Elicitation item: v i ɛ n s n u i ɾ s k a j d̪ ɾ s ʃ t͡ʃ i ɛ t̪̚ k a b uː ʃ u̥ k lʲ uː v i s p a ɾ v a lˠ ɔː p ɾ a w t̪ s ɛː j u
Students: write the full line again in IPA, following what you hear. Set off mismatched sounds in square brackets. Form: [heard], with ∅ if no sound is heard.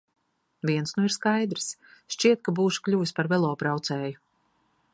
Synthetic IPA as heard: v i ɛ n s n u i ɾ s k a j d̪ ɾ s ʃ t͡ʃ i ɛ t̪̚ k a b uː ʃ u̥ k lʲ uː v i s p a ɾ v [ɛ] lˠ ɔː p ɾ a w t̪ s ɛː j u